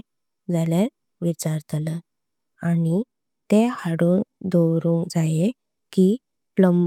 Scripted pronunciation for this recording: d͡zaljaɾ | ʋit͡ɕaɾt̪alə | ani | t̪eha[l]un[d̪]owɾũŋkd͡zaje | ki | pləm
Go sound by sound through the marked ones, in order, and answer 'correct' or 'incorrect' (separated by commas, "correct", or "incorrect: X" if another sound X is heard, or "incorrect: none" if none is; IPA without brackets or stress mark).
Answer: incorrect: ɽ, correct